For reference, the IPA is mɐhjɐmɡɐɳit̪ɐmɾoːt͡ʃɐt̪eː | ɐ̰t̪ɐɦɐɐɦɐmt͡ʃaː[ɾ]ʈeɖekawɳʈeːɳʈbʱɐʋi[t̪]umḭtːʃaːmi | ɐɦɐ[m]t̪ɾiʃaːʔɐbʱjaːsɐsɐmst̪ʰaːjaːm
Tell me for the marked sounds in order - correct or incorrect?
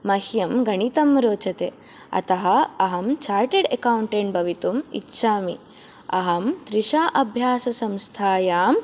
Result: correct, correct, correct

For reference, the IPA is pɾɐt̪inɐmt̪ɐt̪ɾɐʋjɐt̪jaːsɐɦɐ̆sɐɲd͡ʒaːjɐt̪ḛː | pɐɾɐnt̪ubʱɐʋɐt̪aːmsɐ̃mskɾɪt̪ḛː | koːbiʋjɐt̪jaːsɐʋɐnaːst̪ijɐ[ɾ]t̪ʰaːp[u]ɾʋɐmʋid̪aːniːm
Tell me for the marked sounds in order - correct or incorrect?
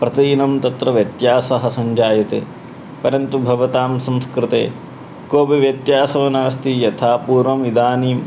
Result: incorrect: none, incorrect: uː

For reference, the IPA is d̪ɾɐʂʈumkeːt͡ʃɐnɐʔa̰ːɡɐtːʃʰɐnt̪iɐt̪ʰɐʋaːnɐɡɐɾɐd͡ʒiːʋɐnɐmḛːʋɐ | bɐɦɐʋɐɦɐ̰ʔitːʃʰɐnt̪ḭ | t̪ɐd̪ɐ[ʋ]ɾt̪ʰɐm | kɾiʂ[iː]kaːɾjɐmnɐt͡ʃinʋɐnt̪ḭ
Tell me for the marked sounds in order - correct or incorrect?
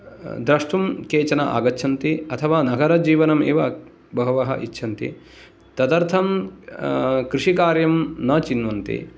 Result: incorrect: none, incorrect: i

